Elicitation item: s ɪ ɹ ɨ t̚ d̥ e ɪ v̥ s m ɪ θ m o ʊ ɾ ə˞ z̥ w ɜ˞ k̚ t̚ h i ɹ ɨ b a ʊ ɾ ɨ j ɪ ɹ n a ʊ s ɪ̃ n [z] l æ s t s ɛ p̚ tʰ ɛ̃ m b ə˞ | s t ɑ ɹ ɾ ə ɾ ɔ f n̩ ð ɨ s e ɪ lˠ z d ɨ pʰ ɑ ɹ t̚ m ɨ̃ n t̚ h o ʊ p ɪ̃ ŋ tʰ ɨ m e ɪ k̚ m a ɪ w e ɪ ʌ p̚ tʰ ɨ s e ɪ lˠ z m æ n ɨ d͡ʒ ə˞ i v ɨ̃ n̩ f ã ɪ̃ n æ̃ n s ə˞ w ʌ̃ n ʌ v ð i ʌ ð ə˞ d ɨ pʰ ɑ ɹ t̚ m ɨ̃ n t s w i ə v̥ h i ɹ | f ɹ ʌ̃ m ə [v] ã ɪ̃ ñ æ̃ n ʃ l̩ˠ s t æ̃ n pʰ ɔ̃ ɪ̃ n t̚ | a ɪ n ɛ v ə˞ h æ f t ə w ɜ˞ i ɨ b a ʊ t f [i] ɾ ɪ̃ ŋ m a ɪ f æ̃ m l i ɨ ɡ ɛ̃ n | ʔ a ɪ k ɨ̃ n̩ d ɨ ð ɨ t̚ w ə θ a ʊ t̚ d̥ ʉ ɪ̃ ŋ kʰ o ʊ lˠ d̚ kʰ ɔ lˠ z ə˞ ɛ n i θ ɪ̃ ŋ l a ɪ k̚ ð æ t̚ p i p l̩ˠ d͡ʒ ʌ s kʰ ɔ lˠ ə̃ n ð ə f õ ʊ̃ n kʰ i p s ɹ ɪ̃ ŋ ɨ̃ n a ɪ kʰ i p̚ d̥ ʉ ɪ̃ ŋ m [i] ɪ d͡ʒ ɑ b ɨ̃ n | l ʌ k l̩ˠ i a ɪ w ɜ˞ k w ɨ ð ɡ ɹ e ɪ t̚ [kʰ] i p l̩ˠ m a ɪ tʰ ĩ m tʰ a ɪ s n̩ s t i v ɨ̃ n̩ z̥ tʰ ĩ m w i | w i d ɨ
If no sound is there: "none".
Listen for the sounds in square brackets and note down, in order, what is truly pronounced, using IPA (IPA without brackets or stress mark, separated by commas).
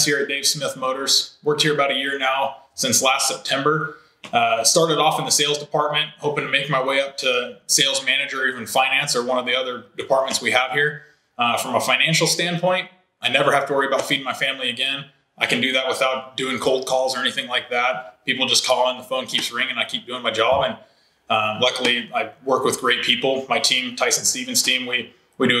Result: s, f, i, a, pʰ